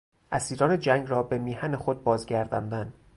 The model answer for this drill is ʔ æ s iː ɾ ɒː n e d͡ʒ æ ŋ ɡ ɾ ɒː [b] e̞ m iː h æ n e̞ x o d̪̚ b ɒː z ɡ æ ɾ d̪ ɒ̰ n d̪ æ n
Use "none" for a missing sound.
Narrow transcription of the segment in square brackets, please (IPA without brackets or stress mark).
b